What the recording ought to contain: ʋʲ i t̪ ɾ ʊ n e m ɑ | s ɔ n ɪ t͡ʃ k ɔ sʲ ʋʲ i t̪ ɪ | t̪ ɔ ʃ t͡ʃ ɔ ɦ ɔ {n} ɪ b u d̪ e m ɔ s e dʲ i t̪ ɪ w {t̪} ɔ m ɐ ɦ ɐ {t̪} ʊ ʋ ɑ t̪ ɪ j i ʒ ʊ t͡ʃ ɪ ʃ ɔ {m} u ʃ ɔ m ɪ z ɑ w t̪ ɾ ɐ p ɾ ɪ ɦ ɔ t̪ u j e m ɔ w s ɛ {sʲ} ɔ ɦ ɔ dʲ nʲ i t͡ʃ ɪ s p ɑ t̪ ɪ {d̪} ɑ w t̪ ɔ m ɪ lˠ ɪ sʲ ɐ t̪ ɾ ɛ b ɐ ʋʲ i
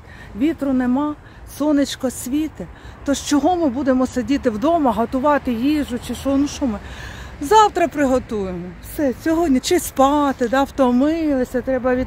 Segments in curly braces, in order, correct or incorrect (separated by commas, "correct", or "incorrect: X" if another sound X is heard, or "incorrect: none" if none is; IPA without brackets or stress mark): incorrect: m, incorrect: d̪, correct, incorrect: n, correct, correct